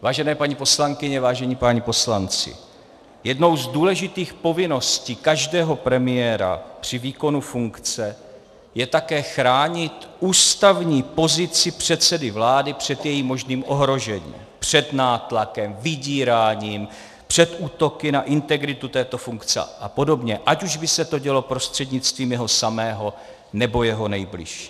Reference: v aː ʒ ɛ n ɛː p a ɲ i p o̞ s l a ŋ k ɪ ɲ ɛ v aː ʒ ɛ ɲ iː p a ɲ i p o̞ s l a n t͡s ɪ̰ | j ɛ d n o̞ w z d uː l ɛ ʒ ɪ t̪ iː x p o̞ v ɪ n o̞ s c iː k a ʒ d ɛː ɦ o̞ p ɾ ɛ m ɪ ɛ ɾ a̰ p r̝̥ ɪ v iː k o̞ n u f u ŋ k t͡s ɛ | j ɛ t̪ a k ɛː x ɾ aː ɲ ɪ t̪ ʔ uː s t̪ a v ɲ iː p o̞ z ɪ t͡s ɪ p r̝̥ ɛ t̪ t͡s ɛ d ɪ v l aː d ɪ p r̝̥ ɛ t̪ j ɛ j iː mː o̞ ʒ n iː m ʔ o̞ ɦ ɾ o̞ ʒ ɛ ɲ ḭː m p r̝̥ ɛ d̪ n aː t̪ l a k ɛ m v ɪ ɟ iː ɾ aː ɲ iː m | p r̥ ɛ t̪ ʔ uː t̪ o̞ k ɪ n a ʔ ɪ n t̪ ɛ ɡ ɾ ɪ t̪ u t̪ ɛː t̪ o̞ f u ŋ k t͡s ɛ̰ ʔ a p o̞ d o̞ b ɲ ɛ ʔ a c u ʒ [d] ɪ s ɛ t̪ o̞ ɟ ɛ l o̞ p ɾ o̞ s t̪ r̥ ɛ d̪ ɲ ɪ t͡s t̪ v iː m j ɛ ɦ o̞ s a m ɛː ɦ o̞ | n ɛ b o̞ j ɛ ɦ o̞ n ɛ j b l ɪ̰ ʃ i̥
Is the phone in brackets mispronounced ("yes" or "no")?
yes